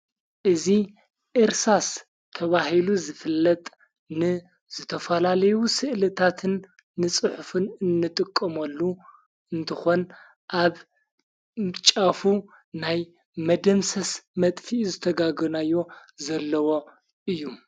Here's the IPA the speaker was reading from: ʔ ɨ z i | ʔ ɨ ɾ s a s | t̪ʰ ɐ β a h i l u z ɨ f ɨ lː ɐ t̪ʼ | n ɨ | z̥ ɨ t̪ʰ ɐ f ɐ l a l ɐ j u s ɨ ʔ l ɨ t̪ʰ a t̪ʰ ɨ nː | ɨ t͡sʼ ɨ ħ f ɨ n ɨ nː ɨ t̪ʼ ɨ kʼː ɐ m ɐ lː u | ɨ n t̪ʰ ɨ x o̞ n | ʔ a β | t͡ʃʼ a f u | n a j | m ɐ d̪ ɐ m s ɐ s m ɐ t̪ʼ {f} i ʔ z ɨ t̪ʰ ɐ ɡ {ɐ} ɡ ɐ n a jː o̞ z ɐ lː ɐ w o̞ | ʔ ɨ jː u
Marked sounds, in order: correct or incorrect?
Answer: correct, incorrect

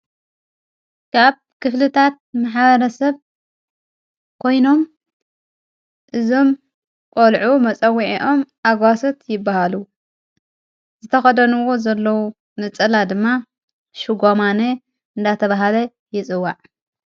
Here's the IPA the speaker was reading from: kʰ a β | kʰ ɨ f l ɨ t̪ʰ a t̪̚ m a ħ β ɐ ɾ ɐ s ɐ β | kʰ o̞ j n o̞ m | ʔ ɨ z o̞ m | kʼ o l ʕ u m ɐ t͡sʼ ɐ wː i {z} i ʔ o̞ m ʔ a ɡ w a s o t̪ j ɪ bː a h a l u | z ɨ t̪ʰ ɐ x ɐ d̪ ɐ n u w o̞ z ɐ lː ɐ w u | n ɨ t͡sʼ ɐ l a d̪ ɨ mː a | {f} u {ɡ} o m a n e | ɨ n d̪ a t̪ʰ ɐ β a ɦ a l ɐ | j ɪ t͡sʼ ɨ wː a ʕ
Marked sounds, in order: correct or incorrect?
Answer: incorrect, incorrect, correct

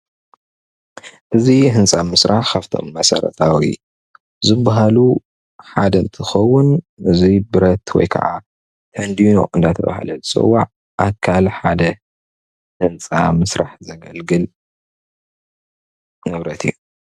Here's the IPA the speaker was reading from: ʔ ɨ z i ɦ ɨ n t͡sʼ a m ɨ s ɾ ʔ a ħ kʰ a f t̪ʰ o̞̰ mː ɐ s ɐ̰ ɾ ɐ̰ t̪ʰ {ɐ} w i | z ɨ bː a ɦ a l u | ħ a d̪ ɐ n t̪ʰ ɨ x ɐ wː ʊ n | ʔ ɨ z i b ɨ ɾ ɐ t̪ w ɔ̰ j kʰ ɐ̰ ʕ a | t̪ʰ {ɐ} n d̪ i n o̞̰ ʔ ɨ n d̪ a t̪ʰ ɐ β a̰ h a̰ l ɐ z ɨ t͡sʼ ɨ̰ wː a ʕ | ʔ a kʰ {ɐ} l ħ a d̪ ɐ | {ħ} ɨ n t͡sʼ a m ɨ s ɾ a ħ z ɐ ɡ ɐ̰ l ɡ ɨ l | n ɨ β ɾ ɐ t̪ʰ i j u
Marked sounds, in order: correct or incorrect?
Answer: incorrect, correct, incorrect, incorrect

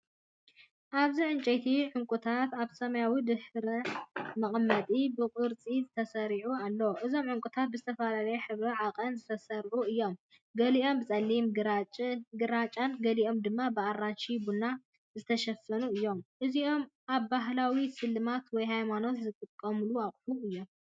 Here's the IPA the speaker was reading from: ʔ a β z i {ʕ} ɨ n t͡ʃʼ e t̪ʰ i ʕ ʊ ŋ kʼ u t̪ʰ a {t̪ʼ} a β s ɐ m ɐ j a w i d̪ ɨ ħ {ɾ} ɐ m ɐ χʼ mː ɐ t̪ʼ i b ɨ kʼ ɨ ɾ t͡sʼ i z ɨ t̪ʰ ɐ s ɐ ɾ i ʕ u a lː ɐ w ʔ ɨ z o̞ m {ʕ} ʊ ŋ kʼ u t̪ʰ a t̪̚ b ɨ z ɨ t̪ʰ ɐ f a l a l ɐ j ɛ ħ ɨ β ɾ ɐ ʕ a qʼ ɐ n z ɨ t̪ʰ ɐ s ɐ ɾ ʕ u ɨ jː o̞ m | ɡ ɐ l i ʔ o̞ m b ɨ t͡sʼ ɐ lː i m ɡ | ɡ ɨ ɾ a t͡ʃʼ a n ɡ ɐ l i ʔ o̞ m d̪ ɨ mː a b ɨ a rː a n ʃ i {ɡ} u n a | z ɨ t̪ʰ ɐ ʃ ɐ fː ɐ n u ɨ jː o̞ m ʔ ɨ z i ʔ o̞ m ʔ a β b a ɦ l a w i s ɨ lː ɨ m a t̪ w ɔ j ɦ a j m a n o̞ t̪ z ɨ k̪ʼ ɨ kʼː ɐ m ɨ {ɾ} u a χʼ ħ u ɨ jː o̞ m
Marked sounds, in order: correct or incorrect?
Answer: correct, incorrect, correct, correct, incorrect, incorrect

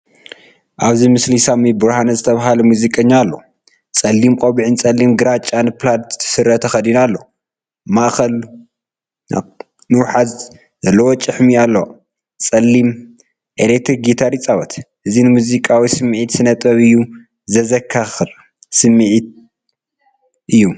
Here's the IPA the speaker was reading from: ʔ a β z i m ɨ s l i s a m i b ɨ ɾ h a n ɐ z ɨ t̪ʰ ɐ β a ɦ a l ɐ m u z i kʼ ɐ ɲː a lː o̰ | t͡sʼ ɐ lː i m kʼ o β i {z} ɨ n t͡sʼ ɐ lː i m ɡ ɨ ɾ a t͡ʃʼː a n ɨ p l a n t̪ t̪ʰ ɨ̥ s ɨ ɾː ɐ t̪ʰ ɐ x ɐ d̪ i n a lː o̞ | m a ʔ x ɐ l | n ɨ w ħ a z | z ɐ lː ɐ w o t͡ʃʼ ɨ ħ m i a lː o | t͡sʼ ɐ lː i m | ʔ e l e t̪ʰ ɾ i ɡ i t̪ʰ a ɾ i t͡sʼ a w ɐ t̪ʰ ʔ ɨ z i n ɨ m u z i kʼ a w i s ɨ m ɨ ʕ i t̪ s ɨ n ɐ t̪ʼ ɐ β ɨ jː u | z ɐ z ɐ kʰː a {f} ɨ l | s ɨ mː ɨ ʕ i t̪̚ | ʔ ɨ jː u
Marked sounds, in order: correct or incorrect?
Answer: incorrect, incorrect

